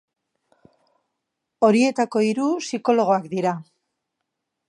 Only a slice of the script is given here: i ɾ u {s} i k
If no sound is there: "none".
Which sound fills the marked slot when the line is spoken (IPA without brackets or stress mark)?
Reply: s